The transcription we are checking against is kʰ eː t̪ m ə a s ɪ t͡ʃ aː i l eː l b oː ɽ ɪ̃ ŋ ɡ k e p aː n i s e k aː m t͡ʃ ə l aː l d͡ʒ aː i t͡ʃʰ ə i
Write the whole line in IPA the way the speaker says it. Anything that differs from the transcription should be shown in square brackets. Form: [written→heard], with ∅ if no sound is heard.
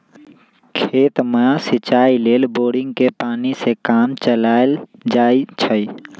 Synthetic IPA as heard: kʰ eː t̪ m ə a s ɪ t͡ʃ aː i l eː l b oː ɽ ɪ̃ ŋ ɡ k e p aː n i s e k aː m t͡ʃ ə l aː l d͡ʒ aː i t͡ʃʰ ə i